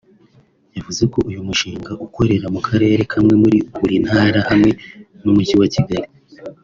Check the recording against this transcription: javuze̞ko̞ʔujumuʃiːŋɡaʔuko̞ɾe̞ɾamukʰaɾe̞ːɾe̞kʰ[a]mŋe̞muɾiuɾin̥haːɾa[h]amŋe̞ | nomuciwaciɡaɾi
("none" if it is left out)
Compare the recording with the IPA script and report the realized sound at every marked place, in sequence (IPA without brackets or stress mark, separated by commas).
a, h